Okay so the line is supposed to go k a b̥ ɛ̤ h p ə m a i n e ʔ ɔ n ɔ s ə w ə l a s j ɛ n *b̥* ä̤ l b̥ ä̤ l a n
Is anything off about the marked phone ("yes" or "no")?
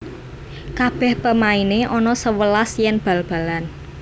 no